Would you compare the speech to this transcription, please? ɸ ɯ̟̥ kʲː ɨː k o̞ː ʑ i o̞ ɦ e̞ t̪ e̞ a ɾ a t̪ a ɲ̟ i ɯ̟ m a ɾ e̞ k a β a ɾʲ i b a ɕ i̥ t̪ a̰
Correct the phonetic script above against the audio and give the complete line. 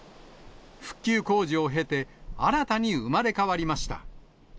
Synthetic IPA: ɸ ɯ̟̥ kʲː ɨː k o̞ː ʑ i o̞ ɦ e̞ t̪ e̞ a ɾ a t̪ a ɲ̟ i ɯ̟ m a ɾ e̞ k a β a ɾʲ i m a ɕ i̥ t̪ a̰